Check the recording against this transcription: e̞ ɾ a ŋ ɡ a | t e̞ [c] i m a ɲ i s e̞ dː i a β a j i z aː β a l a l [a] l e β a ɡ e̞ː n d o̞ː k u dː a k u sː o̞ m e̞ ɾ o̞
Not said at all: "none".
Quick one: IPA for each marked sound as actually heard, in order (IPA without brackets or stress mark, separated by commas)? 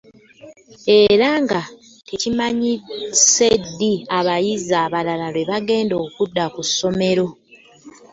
c, a